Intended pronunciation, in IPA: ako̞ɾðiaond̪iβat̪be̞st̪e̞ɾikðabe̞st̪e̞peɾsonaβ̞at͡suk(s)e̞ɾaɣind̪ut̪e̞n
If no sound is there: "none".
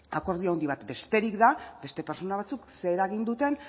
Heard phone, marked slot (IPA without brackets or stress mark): s